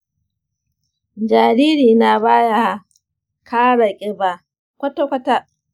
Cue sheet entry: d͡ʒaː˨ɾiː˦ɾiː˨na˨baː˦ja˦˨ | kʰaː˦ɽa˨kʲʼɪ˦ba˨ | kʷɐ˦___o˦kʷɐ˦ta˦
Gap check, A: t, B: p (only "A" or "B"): A